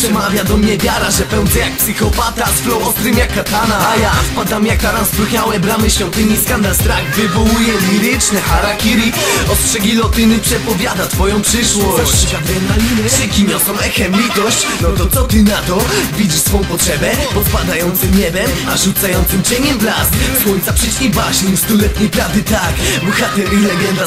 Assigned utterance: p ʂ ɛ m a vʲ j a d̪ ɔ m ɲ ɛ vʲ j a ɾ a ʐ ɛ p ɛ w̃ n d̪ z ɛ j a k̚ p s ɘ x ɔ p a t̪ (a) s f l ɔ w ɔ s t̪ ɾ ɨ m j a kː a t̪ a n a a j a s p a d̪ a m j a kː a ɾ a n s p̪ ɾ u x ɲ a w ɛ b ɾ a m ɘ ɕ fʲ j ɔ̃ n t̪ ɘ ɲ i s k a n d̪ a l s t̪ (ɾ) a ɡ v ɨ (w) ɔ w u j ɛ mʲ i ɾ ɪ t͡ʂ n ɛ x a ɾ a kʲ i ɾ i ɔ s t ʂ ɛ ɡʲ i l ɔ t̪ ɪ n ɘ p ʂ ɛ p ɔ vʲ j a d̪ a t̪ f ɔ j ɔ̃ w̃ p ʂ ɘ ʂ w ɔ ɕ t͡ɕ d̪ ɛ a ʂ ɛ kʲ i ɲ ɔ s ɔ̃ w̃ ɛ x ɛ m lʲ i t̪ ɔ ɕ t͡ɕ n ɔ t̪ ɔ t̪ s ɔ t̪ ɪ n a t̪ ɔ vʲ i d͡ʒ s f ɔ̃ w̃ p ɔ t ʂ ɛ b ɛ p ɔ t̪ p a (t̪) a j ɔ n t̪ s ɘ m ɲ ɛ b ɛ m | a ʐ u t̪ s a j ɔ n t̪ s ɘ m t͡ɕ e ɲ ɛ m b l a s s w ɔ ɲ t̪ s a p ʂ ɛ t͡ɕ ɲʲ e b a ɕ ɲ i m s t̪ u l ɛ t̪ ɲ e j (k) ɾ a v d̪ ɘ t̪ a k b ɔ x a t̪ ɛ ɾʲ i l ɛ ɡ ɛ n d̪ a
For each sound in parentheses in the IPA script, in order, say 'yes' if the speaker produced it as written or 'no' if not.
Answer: yes, yes, no, no, no

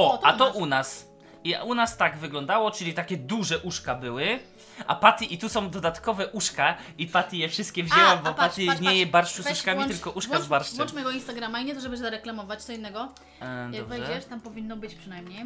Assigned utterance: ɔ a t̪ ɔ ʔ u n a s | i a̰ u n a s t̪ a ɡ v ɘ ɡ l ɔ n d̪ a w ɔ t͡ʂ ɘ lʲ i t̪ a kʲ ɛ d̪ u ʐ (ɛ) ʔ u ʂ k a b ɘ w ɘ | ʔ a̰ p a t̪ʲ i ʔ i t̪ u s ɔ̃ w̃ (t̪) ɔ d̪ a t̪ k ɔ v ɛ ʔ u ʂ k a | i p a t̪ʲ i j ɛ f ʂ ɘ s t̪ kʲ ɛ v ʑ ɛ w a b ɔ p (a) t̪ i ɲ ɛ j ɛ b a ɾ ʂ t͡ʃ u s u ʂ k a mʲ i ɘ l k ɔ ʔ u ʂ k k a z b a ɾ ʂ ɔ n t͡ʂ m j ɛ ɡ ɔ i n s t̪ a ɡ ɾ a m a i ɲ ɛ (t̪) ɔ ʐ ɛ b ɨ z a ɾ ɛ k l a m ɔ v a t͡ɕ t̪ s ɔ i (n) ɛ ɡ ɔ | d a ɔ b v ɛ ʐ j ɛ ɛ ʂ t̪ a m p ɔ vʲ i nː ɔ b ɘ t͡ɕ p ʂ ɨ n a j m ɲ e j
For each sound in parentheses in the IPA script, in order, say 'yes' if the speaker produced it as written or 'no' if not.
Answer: yes, no, yes, yes, no

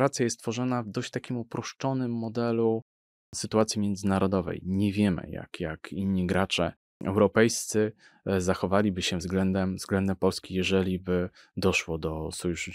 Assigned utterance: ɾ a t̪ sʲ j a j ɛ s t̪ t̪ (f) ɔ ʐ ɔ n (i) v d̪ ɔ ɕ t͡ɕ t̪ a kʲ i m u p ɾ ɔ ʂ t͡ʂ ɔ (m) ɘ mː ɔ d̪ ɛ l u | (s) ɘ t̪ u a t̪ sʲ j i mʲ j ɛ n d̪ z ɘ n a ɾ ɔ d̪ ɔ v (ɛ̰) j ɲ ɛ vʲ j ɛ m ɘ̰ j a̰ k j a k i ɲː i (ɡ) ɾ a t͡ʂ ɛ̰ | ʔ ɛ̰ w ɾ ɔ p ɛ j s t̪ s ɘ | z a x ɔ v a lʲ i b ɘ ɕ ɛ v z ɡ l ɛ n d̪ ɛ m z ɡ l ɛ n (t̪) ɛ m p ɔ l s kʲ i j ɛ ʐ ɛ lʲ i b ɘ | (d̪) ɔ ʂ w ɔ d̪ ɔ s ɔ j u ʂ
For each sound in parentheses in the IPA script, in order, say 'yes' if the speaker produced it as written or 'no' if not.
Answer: yes, no, no, yes, yes, yes, no, yes

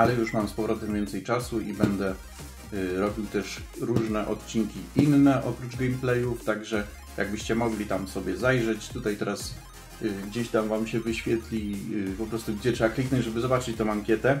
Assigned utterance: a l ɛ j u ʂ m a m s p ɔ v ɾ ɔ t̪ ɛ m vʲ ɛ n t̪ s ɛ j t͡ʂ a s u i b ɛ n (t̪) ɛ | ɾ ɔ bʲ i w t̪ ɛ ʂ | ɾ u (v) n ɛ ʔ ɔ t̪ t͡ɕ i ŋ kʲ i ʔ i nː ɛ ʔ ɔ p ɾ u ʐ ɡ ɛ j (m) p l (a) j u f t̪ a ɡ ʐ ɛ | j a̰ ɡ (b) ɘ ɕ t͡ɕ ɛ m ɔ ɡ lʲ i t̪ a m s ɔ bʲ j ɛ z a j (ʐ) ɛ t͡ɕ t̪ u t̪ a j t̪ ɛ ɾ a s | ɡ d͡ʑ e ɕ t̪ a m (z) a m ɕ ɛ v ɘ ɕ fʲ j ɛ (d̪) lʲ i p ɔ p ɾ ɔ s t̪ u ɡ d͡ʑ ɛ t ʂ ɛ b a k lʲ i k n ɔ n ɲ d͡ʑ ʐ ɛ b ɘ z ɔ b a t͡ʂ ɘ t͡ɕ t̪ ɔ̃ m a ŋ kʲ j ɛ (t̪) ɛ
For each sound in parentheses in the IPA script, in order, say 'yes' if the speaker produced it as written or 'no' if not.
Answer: no, no, yes, no, yes, yes, no, no, yes

